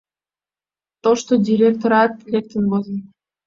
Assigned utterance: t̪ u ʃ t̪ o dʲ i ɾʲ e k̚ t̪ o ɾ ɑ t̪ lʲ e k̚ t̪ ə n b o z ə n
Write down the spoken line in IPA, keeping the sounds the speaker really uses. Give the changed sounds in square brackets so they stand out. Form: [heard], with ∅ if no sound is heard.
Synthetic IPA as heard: t̪ [o] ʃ t̪ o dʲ i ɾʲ e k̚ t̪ o ɾ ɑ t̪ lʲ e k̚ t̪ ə n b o z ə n